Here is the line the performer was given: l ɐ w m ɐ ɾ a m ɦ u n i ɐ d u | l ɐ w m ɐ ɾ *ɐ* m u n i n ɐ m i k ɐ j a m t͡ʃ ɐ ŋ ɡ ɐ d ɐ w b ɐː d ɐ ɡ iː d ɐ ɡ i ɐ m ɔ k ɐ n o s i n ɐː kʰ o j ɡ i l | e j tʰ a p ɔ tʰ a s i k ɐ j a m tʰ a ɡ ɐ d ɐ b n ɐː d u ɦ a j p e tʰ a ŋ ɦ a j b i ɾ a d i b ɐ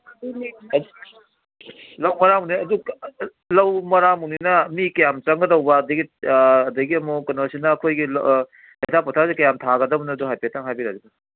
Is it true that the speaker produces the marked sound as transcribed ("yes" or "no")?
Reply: no